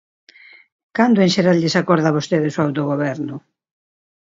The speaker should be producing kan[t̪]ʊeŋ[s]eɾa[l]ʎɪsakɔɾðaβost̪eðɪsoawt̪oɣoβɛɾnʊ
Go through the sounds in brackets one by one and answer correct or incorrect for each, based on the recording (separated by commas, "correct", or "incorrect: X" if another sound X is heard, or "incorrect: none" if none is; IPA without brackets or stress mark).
incorrect: d̪, incorrect: ʃ, correct